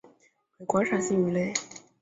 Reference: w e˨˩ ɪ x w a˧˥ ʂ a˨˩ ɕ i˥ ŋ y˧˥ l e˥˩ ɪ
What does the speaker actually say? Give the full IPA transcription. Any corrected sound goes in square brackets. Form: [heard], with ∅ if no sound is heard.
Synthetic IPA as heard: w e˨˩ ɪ [k] w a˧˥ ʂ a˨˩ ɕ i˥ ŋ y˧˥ l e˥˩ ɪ